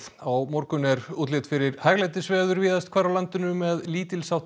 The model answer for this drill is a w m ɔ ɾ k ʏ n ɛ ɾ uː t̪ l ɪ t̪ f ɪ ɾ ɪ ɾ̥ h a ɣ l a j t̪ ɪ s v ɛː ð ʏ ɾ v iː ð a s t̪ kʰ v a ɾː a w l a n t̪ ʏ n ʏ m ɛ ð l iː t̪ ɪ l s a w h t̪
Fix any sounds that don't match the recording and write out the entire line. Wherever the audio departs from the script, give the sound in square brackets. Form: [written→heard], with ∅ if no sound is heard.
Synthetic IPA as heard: a w m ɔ ɾ k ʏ n ɛ ɾ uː t̪ l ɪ t̪ f ɪ ɾ ɪ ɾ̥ h a ɣ l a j t̪ ɪ s v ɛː ð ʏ ɾ v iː ð a s t̪ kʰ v a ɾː a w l a n t̪ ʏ n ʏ m ɛ ð l iː t̪ ɪ l s a w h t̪